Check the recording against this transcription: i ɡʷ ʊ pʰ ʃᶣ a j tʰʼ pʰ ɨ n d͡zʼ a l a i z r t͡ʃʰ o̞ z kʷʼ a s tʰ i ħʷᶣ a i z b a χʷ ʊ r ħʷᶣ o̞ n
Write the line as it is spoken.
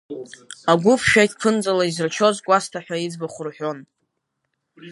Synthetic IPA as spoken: a ɡʷ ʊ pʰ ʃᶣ a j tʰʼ pʰ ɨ n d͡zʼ a l a i z r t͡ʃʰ o̞ z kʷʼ a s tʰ a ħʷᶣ a i d͡z b a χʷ ʊ r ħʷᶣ o̞ n